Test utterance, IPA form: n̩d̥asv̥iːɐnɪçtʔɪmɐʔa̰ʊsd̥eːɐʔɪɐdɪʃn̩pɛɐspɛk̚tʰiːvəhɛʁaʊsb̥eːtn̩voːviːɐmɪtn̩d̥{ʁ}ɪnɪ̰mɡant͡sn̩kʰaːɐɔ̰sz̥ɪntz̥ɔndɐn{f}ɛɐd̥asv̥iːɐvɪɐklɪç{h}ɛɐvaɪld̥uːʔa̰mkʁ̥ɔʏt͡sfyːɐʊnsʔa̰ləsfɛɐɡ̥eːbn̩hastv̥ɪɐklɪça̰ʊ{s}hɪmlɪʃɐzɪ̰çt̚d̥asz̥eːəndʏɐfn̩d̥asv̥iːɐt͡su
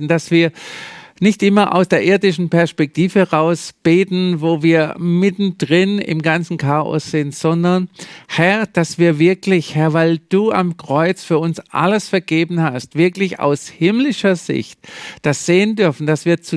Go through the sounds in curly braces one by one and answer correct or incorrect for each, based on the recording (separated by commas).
correct, incorrect, correct, correct